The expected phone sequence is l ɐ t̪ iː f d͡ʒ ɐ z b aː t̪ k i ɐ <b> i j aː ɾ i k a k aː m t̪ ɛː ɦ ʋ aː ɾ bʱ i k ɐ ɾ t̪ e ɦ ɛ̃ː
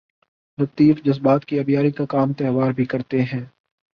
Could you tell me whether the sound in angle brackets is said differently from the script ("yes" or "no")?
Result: no